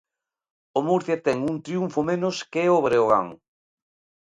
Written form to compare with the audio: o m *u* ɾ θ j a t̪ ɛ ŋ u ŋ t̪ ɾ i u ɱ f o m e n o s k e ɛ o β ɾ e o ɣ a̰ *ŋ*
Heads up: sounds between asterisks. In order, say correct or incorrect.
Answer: correct, correct

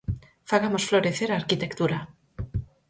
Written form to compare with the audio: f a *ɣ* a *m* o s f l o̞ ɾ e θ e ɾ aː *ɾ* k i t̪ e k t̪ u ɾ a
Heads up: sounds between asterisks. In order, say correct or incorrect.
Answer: correct, correct, correct

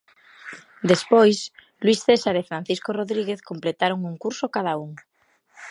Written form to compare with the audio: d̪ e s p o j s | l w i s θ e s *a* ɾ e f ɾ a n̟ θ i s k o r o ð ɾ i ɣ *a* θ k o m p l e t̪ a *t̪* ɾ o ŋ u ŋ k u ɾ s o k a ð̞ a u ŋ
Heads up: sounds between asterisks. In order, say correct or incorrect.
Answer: correct, incorrect, incorrect

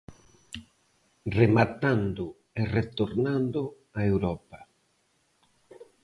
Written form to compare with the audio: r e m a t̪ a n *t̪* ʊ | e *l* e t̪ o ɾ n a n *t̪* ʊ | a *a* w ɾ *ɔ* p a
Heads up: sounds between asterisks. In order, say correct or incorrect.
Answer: incorrect, incorrect, incorrect, incorrect, correct

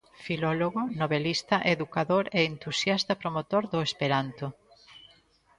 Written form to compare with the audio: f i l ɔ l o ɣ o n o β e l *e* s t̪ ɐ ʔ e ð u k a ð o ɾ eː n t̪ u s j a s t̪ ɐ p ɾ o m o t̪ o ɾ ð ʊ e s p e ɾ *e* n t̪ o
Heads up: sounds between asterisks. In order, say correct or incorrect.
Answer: incorrect, incorrect

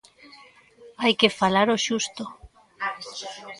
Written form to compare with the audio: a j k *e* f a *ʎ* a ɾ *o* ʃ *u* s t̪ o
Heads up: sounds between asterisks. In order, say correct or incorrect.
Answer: correct, incorrect, correct, correct

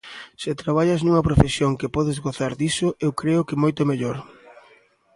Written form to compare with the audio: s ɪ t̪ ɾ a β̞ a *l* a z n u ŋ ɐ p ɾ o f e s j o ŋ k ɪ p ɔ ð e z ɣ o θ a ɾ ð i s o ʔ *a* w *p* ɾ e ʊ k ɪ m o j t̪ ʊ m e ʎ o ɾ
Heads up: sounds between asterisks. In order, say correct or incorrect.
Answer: incorrect, incorrect, incorrect

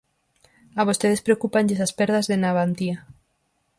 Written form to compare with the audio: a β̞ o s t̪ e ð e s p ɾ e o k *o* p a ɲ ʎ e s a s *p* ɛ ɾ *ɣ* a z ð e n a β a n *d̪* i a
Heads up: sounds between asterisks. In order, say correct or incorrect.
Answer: incorrect, correct, incorrect, incorrect

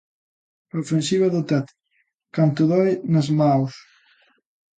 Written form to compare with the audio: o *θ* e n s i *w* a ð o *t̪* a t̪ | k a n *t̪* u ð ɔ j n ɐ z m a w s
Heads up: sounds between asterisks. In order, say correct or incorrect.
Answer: incorrect, incorrect, correct, correct

